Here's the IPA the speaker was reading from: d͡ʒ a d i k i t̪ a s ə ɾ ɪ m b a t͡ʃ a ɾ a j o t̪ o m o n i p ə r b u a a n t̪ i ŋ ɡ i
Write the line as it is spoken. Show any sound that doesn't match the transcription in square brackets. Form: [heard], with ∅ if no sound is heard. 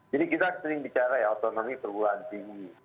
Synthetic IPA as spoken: d͡ʒ a d i k i t̪ a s ə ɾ ɪ [ŋ] b [i] t͡ʃ a ɾ a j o t̪ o [n] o [m] i p ə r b u a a n t̪ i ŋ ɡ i